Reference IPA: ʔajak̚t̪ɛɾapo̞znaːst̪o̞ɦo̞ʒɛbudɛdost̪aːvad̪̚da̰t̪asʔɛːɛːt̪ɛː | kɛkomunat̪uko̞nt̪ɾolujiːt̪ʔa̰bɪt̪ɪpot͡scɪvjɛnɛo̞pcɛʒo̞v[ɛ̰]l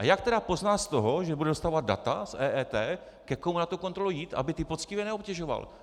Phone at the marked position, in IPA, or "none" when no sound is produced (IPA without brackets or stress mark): a̰